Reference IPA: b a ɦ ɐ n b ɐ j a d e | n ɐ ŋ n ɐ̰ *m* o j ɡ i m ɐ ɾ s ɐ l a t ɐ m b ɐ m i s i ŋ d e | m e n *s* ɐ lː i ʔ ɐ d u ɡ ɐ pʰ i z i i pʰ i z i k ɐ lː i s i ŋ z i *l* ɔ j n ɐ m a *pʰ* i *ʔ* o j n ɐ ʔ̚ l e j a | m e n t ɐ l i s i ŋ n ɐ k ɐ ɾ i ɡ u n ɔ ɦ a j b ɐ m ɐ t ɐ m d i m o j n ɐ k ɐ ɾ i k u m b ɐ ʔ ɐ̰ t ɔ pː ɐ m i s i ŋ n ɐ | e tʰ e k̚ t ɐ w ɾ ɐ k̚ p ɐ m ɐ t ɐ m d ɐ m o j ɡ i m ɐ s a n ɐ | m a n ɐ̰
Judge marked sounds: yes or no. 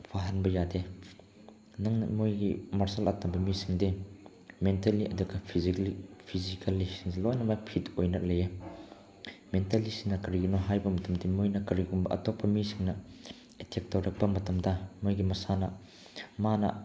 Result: yes, no, yes, yes, no

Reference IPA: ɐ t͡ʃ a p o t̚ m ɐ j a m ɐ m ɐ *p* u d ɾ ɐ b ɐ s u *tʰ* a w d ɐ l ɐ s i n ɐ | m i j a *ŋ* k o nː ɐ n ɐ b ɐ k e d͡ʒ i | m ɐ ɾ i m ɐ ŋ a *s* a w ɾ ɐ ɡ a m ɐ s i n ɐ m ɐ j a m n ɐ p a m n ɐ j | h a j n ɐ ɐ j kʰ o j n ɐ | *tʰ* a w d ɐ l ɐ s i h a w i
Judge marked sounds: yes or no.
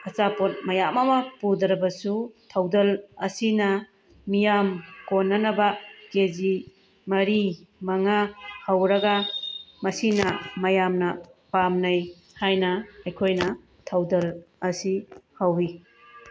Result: yes, yes, no, no, yes

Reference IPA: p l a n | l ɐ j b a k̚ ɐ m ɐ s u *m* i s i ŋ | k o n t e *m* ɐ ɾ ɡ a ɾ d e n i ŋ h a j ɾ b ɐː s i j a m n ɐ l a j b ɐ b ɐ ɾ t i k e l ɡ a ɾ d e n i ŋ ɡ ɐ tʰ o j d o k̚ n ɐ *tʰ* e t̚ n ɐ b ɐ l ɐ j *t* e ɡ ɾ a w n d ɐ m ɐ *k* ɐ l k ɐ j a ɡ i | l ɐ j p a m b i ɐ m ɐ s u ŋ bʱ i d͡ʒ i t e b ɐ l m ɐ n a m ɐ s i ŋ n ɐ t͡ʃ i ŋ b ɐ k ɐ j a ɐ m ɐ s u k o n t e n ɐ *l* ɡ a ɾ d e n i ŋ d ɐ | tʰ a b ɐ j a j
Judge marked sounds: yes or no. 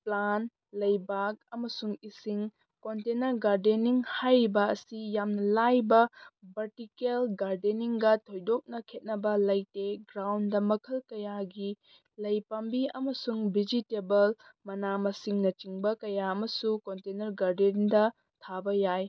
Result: no, no, no, yes, no, no

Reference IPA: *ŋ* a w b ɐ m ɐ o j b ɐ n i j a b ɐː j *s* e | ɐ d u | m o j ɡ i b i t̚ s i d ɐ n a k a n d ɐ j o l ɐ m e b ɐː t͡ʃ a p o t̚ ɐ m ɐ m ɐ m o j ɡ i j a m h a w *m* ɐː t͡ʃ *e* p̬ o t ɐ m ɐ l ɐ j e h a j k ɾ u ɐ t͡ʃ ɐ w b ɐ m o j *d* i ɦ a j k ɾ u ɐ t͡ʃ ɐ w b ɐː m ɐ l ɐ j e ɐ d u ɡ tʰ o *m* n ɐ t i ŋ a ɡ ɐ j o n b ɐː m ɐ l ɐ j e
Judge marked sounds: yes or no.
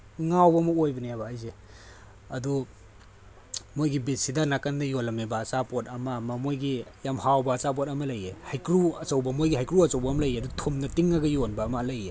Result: yes, no, no, no, no, yes

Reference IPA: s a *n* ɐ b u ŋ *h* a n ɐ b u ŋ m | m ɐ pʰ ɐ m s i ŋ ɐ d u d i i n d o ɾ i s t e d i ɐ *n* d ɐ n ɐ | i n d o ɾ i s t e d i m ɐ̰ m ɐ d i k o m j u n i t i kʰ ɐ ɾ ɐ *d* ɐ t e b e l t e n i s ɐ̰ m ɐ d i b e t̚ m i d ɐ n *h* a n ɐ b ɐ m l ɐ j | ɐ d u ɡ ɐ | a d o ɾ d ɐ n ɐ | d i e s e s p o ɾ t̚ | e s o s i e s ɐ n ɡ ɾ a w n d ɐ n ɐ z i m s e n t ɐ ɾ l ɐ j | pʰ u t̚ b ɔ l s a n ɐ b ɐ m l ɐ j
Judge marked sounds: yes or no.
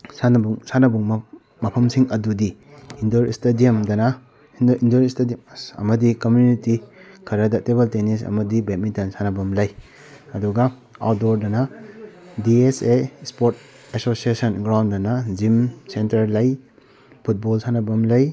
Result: yes, no, no, yes, no

